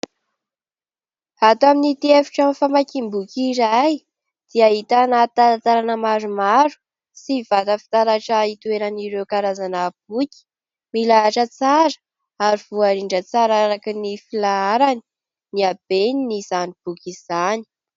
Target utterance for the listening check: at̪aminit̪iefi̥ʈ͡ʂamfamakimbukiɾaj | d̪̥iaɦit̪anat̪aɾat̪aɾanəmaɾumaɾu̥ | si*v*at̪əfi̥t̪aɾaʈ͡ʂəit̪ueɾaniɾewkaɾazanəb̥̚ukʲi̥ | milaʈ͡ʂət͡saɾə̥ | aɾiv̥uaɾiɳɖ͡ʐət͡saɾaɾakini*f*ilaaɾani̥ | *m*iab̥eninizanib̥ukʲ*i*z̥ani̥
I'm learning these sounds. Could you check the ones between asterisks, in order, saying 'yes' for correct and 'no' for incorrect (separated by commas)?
yes, yes, no, yes